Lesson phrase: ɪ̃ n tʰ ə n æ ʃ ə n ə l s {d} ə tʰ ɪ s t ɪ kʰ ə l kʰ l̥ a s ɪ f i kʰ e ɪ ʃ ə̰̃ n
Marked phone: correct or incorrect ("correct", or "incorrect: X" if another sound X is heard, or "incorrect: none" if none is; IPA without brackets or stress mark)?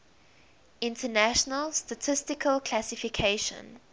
incorrect: t